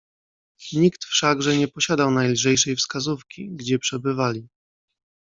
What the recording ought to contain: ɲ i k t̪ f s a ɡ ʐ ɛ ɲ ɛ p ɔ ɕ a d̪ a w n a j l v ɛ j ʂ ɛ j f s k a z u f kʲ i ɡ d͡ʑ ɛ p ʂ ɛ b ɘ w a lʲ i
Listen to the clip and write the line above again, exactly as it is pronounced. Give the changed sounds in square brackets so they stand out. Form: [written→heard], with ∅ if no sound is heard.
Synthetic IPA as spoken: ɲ i k t̪ f [s→ʂ] a ɡ ʐ ɛ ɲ ɛ p ɔ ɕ a d̪ a w n a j l [v→ʐ] ɛ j ʂ ɛ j f s k a z u f kʲ i ɡ d͡ʑ ɛ p ʂ ɛ b ɘ [w→v] a lʲ i